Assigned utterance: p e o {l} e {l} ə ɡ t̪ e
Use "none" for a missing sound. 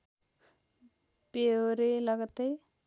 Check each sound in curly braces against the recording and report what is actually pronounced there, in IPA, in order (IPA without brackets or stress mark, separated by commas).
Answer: ɾ, l